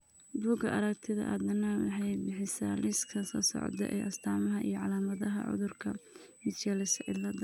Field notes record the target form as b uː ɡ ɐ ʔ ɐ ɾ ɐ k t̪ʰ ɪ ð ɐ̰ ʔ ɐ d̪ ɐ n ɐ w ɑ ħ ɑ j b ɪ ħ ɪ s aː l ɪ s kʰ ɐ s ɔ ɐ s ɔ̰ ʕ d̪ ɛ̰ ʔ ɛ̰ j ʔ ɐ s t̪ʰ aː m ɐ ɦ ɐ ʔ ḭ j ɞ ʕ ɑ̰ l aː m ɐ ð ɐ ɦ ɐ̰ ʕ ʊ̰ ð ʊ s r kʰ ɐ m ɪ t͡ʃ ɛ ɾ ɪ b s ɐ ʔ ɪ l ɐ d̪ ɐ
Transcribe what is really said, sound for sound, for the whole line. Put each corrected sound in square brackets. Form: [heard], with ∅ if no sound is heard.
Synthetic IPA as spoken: b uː ɡ ɐ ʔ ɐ ɾ ɐ k t̪ʰ ɪ ð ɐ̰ ʔ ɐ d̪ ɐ n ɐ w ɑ ħ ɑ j b ɪ ħ ɪ s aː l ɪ s kʰ ɐ s ɔ ɐ s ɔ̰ ʕ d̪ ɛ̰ ʔ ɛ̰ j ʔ ɐ s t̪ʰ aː m ɐ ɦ ɐ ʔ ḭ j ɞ ʕ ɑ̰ l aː m ɐ ð ɐ ɦ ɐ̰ ʕ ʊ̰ ð ʊ [∅] r kʰ ɐ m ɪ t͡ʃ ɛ [l] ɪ [∅] s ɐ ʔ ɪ l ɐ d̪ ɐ